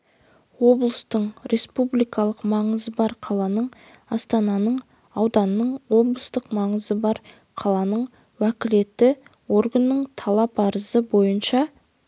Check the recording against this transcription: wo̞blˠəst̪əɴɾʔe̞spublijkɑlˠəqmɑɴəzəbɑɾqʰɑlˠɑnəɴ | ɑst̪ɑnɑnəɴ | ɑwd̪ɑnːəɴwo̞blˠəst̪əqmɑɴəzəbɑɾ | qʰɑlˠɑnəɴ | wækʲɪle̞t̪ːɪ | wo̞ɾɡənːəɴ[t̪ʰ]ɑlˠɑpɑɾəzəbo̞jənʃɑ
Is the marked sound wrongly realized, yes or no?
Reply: no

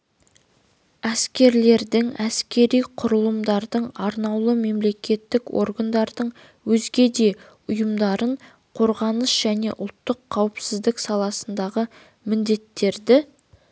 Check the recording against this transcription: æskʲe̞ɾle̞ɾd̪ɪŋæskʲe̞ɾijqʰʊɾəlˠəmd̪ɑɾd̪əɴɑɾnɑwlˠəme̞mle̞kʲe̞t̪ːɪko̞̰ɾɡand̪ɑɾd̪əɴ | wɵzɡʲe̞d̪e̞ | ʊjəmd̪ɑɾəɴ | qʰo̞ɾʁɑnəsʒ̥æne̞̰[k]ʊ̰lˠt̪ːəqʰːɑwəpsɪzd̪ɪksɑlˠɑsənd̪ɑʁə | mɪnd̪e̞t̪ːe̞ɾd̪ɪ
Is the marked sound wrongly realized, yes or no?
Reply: yes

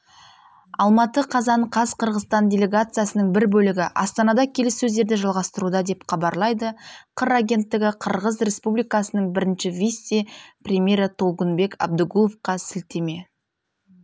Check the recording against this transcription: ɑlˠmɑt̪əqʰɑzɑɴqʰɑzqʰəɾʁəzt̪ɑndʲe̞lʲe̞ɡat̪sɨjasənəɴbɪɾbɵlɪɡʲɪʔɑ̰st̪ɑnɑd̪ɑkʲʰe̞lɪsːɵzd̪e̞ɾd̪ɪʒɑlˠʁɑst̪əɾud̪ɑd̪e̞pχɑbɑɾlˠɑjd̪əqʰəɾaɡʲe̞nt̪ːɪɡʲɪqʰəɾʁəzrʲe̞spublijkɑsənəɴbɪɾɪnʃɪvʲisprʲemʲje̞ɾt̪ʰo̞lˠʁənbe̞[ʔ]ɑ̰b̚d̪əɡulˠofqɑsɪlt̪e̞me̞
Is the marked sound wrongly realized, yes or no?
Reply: yes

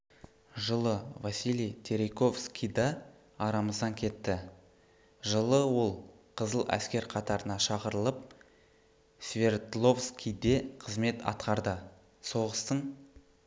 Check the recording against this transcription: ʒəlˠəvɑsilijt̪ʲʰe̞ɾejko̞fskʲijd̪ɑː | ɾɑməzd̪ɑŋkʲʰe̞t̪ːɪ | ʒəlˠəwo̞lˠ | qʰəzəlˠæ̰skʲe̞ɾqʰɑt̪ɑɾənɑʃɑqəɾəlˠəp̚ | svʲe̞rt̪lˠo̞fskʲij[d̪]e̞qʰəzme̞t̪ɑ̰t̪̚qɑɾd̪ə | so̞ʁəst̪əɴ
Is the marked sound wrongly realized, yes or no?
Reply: no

